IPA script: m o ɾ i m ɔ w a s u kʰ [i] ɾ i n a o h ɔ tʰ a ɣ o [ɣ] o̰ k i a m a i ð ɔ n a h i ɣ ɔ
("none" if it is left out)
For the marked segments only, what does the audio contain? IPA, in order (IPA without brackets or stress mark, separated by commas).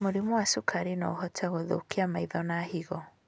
a, ð